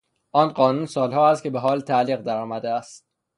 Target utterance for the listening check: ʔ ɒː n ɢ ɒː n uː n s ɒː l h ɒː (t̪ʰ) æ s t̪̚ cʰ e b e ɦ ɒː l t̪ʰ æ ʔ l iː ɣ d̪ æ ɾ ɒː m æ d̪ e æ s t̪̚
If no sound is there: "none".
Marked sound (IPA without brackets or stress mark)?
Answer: none